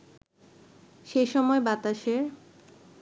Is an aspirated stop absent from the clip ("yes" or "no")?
yes